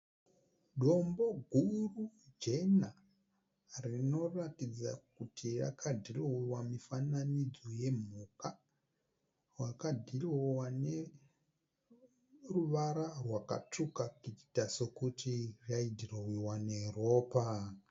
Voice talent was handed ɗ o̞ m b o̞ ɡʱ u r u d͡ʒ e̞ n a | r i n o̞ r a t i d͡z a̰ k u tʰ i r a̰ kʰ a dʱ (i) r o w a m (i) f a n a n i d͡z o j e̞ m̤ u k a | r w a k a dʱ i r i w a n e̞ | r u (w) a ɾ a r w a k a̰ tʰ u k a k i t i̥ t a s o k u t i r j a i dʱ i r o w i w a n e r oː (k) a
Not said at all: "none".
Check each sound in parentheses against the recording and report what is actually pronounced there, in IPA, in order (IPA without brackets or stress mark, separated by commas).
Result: i, i, ʋ, p